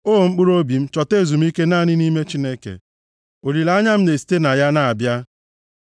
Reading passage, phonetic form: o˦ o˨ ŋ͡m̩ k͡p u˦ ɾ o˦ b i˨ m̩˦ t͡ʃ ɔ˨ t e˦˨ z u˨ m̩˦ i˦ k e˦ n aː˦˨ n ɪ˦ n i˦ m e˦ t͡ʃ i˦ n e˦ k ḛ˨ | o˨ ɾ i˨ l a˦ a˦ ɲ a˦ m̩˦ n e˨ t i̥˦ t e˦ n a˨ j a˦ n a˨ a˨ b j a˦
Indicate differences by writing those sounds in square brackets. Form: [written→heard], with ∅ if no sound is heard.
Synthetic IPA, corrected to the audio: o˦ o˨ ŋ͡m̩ k͡p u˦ ɾ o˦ b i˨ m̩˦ t͡ʃ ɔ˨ t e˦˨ z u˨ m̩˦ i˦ k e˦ n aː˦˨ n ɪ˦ n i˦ m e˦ t͡ʃ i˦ n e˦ k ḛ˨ | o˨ ɾ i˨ l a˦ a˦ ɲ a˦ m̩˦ n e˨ [t→s] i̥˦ t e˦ n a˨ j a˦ n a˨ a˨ b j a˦